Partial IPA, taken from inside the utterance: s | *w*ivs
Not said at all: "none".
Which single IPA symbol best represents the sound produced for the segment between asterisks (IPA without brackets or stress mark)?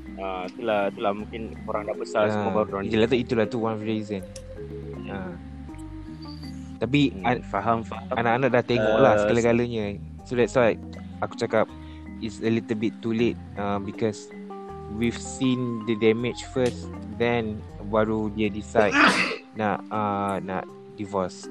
w